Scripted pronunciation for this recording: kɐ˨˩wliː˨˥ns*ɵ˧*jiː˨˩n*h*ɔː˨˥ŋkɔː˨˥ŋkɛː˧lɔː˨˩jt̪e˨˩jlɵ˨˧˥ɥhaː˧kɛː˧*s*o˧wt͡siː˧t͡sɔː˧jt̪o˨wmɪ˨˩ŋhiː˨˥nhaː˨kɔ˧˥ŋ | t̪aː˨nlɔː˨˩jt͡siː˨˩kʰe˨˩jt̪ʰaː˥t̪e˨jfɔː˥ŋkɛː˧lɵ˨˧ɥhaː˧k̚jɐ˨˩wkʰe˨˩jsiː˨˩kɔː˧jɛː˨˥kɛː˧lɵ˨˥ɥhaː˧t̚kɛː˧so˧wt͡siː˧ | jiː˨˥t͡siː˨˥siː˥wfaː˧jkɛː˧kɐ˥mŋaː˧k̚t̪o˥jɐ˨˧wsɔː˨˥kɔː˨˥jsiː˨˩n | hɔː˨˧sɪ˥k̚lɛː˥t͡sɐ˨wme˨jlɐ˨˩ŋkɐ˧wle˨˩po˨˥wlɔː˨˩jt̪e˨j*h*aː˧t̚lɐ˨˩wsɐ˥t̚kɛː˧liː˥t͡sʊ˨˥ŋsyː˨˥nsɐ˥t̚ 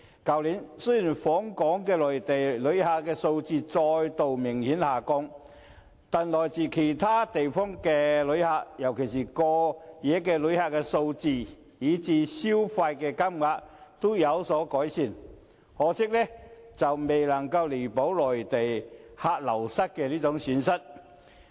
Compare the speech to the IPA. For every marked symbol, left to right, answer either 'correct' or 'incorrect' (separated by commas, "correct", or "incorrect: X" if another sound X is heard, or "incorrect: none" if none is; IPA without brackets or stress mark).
incorrect: ɵ˥, incorrect: f, correct, correct